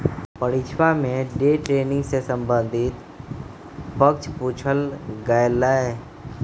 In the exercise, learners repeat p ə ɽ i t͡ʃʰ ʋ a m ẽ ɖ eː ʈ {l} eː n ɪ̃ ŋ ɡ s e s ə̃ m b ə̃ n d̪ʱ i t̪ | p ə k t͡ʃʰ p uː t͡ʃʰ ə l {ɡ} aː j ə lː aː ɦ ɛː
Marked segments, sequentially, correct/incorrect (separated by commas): incorrect, correct